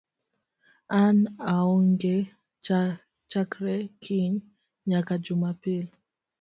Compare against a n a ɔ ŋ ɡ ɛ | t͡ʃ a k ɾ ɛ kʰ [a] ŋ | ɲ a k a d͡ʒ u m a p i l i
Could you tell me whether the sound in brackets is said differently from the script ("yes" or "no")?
yes